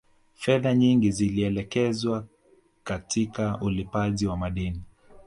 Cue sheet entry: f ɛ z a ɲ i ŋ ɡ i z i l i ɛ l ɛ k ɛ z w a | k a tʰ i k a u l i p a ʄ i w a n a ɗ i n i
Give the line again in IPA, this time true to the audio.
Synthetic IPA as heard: f ɛ ð a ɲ i ŋ ɡ i z i l i ɛ l ɛ k ɛ z w a | k a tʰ i k a u l i p a ʄ i w a m a ɗ i n i